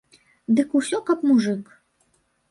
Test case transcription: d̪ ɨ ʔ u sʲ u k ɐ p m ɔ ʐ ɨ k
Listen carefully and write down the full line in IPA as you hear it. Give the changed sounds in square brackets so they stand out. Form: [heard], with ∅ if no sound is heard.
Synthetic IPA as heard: d̪ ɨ [k] u sʲ [ɔ] k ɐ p m [u] ʐ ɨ k

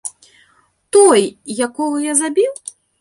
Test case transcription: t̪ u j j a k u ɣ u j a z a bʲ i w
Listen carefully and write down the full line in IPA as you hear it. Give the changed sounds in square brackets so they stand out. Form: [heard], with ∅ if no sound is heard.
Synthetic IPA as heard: t̪ [ɔ] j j a k [ɔ] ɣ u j a z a bʲ i w

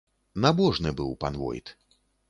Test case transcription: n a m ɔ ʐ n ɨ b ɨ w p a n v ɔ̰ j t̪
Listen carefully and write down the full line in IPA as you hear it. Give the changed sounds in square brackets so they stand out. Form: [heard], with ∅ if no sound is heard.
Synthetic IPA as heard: n a [b] ɔ ʐ n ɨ b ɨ w p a n v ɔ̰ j t̪

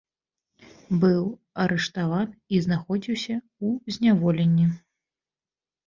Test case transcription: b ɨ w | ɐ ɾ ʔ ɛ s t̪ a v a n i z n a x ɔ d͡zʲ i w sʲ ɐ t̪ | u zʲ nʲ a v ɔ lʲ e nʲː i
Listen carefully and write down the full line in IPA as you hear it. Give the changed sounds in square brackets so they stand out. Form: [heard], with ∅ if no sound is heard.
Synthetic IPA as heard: b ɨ w | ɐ ɾ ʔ ɛ [ʂ] t̪ a v a n i z n a x ɔ d͡zʲ i w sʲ ɐ [∅] | u zʲ nʲ a v ɔ lʲ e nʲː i

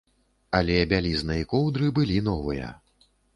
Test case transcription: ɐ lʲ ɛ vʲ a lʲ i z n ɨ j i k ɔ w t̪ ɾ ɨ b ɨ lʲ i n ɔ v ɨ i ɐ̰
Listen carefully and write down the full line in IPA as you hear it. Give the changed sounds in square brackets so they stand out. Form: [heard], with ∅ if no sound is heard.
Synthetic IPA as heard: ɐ lʲ ɛ [bʲ] a lʲ i z n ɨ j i k ɔ w [d̪] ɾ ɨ b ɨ lʲ i n ɔ v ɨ [j] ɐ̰

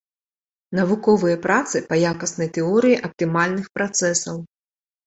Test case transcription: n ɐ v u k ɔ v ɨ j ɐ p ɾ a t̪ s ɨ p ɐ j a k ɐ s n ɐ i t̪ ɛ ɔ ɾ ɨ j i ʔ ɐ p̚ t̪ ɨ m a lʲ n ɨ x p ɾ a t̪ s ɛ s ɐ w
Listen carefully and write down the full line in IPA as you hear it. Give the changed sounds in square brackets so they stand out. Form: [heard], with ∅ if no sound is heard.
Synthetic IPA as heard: n ɐ v u k ɔ v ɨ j ɐ p ɾ a t̪ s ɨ p ɐ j a k ɐ s n ɐ [j] t̪ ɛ ɔ ɾ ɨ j i ʔ ɐ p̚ t̪ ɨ m a lʲ n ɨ x p ɾ a t̪ s ɛ s ɐ w

